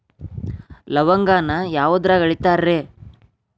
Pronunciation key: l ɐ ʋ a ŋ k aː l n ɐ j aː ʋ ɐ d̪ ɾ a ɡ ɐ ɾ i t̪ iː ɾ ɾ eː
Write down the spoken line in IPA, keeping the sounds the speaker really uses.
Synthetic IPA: l ɐ ʋ ɐ ŋ ɡ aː n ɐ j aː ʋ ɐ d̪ ɾ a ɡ ɐ ɭ i t̪ aː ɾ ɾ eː